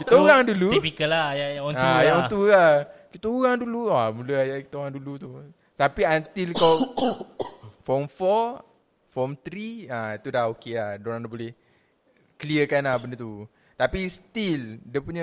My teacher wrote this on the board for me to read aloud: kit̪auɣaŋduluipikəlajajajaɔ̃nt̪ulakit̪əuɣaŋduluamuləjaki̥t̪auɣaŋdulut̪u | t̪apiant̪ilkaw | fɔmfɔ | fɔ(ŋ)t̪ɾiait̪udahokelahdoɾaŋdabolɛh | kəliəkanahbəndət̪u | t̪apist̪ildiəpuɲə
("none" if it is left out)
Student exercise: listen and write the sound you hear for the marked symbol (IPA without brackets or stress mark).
m